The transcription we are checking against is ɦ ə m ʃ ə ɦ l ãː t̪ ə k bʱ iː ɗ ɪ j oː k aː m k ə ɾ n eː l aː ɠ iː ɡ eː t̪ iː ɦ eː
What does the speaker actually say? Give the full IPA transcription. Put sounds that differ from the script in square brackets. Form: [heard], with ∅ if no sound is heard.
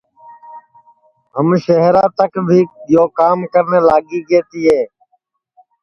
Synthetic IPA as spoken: ɦ ə m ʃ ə ɦ [ɾ] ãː t̪ ə k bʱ iː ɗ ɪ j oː k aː m k ə ɾ n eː l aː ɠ iː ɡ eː t̪ iː ɦ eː